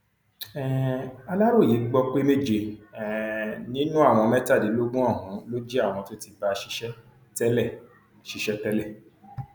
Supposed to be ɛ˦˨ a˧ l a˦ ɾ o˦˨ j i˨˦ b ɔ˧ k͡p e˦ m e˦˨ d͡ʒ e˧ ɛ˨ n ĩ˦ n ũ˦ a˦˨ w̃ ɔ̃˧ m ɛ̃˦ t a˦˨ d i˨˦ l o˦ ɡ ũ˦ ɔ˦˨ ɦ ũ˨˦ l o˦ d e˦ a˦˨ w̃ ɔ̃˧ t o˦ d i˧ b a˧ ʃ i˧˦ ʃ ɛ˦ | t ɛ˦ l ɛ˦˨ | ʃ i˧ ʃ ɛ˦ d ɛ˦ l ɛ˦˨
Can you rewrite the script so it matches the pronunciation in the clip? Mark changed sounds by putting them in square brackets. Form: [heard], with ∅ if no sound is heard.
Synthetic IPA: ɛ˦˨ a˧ l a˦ ɾ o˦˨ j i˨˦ [ɡ͡b] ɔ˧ k͡p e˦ m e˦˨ d͡ʒ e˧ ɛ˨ n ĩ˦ n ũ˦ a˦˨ w̃ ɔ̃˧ m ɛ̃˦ t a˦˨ d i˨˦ l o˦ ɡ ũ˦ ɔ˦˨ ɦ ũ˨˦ l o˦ [d͡ʒ] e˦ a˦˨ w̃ ɔ̃˧ t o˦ [t] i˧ b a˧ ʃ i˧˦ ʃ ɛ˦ | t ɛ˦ l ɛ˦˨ | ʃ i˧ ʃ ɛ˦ [t] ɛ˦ l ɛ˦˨